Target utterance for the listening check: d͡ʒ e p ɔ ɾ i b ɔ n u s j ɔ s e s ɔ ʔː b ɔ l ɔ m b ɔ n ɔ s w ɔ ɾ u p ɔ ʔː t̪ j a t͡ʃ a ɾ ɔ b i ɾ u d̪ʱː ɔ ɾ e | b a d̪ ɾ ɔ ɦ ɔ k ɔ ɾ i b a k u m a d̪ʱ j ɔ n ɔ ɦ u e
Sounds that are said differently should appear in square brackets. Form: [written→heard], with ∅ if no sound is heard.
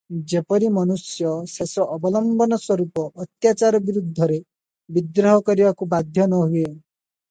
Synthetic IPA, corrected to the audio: d͡ʒ e p ɔ ɾ i [b→m] ɔ n u s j ɔ s e s ɔ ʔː b ɔ l ɔ m b ɔ n ɔ s w ɔ ɾ u p ɔ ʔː t̪ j a t͡ʃ a ɾ ɔ b i ɾ u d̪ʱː ɔ ɾ e | b [a→i] d̪ ɾ ɔ ɦ ɔ k ɔ ɾ i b a k u [m→b] a d̪ʱ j ɔ n ɔ ɦ u e